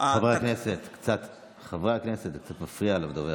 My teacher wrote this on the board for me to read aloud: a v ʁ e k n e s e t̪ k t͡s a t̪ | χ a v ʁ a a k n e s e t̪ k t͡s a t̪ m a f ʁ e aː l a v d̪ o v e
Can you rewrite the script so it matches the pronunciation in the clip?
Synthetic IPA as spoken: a v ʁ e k n e s e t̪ k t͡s a t̪ | χ a v ʁ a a k n e s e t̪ k t͡s a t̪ m a f ʁ i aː l a v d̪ o v e